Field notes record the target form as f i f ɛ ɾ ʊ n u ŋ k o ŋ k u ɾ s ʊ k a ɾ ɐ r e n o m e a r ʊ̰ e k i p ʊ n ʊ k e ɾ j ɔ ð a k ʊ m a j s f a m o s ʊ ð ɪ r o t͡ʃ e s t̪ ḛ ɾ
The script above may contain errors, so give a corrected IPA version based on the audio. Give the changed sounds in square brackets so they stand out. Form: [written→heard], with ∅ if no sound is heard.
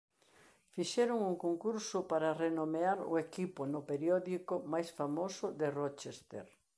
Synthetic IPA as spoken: f i [f→ʃ] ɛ ɾ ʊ [n→ŋ] u ŋ k o ŋ k u ɾ s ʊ [k→p] a ɾ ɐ r e n o m e a [r→ɾ] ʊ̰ e k i p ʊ n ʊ [k→p] e ɾ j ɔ ð [a→i] k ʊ m a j s f a m o s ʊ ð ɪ r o t͡ʃ e s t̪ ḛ ɾ